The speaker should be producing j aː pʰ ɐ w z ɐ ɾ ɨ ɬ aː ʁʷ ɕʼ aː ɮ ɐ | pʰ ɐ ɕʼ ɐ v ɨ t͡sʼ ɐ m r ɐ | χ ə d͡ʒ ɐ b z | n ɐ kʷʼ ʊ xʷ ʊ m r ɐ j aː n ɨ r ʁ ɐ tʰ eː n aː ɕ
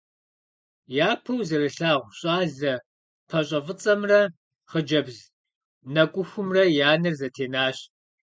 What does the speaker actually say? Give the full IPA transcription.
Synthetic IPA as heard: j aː pʰ ɐ w z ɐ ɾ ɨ ɬ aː ʁʷ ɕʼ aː ɮ ɐ | pʰ ɐ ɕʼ ɐ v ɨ t͡sʼ ɐ m r ɐ | χ ə d͡ʒ ɐ b z | n ɐ kʷʼ ʊ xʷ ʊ m r ɐ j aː n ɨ r z ɐ tʰ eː n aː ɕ

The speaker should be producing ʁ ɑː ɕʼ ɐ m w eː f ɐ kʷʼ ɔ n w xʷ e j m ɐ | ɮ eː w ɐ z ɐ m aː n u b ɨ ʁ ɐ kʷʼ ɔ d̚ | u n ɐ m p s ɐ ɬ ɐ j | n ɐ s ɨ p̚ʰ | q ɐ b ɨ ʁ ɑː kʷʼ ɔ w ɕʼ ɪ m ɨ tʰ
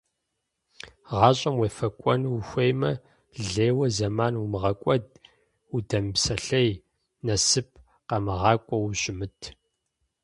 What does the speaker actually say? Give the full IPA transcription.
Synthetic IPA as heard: ʁ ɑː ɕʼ ɐ m w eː f ɐ kʷʼ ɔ n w xʷ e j m ɐ | ɮ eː w ɐ z ɐ m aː n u m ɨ ʁ ɐ kʷʼ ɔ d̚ | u d ɐ m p s ɐ ɬ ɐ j | n ɐ s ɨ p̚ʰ | q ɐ m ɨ ʁ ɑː kʷʼ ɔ w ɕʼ ɪ m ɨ tʰ

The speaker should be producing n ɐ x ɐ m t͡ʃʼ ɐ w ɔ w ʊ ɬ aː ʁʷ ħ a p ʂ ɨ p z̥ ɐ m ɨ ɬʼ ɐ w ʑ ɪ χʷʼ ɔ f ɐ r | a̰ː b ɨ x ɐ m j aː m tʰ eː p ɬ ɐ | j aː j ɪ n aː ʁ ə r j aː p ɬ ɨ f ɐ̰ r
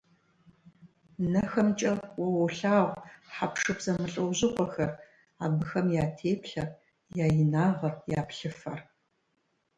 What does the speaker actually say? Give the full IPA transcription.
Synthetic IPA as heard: n ɐ x ɐ m t͡ʃʼ ɐ w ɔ w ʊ ɬ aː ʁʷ ħ a p ʂ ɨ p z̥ ɐ m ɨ ɬʼ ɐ w ʑ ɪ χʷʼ ɔ x ɐ r | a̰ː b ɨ x ɐ m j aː tʰ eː p ɬ ɐ | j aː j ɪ n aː ʁ ɐ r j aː p ɬ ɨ f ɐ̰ r

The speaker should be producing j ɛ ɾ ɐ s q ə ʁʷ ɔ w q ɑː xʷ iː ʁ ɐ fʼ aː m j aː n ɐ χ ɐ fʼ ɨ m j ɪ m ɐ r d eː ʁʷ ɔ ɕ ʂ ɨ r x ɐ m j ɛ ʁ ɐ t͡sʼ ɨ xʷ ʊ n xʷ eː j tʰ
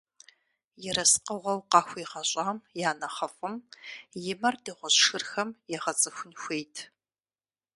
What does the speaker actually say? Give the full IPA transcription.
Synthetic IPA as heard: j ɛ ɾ ɐ s q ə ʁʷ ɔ w q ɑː xʷ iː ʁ ɐ ɕʼ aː m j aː n ɐ χ ɐ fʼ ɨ m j ɪ m ɐ r d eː ʁʷ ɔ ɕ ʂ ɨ r x ɐ m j ɛ ʁ ɐ t͡sʼ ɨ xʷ ʊ n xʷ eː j tʰ

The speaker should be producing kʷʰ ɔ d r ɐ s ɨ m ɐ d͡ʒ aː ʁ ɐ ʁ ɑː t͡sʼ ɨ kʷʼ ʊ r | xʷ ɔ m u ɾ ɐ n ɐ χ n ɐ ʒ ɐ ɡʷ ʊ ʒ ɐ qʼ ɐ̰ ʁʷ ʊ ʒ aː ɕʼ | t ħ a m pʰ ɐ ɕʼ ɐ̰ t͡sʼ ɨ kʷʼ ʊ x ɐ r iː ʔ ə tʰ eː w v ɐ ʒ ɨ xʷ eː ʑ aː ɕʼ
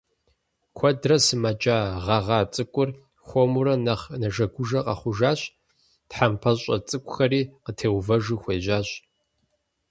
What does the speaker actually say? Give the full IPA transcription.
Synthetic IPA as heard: kʷʰ ɔ d r ɐ s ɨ m ɐ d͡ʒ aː ʁ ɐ ʁ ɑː t͡sʼ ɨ kʷʼ ʊ r | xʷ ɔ m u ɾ ɐ n ɐ χ n ɐ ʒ ɐ ɡʷ ʊ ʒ ɐ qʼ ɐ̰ χʷ ʊ ʒ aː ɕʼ | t ħ a m pʰ ɐ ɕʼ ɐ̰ t͡sʼ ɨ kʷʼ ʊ x ɐ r iː q ə tʰ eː w v ɐ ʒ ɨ xʷ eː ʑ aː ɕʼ

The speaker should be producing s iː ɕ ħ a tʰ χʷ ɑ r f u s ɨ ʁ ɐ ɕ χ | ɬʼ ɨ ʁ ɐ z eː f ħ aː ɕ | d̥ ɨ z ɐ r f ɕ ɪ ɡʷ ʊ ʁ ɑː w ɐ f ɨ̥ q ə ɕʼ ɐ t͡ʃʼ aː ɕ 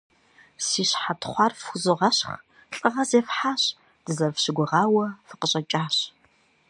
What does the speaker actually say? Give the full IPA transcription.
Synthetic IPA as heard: s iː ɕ ħ a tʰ χʷ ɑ r f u z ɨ ʁ ɐ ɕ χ | ɬʼ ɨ ʁ ɐ z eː f ħ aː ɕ | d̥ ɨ z ɐ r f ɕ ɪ ɡʷ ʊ ʁ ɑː w ɐ f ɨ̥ q ə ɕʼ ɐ t͡ʃʼ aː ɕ

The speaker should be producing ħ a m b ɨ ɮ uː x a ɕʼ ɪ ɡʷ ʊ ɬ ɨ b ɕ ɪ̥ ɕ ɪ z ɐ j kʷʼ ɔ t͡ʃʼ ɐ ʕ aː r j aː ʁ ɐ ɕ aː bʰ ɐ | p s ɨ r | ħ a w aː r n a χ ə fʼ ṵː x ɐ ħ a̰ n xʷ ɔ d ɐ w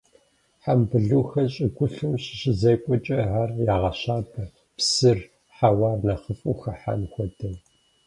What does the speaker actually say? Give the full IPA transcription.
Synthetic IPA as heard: ħ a m b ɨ ɮ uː x ɐ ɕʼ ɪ ɡʷ ʊ ɬ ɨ m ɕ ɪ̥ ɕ ɪ z ɐ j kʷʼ ɔ t͡ʃʼ ɐ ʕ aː r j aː ʁ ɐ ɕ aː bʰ ɐ | p s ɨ r | ħ a w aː r n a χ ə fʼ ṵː x ɐ ħ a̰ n xʷ ɔ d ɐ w

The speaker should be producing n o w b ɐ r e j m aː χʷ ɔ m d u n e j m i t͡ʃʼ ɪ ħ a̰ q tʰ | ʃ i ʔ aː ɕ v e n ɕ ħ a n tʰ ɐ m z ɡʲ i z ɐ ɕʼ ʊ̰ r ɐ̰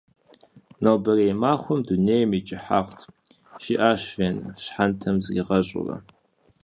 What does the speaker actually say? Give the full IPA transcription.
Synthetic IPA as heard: n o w b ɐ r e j m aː χʷ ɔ m d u n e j m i t͡ʃʼ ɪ ħ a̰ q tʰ | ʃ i ʔ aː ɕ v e n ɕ ħ a n tʰ ɐ m z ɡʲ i ʁ ɐ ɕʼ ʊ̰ r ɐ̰

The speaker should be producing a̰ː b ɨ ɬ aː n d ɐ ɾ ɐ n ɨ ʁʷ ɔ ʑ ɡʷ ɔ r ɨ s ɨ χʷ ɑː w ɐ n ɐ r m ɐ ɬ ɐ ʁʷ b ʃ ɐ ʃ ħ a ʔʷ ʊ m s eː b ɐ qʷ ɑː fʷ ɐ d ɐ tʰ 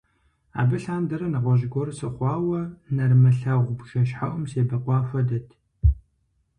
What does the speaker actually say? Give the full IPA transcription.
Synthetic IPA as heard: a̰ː b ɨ ɬ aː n d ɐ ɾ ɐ n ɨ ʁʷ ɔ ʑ ɡʷ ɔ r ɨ s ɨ χʷ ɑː w ɐ n ɐ r m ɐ ɬ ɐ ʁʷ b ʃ ɐ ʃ ħ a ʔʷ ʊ m s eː b ɐ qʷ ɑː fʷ ɐ d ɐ tʰ

